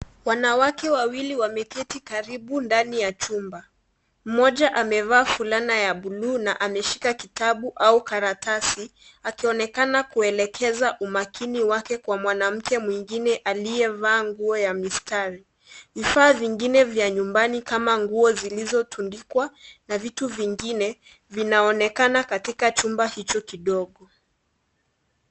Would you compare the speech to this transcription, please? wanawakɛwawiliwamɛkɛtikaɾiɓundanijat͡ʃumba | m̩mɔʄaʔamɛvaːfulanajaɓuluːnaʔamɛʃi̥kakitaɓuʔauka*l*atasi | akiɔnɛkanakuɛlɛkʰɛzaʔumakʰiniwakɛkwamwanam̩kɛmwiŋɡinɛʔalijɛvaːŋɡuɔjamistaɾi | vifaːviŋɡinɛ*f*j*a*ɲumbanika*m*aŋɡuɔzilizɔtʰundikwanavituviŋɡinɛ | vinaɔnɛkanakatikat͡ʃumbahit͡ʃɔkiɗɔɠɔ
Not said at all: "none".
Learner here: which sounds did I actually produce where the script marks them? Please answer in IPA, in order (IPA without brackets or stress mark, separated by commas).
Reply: ɾ, v, a, m